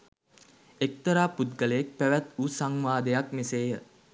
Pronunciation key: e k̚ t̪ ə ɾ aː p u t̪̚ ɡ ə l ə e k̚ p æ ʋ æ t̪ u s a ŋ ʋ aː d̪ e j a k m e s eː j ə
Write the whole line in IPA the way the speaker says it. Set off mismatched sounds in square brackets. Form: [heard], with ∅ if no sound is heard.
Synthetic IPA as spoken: e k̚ t̪ ə ɾ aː p u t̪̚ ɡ ə l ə e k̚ p æ ʋ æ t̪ u s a ŋ ʋ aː d̪ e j a k m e s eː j ə